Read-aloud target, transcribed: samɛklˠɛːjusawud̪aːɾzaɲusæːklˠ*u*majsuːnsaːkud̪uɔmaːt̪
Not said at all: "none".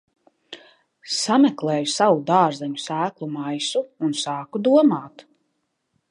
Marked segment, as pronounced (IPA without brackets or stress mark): u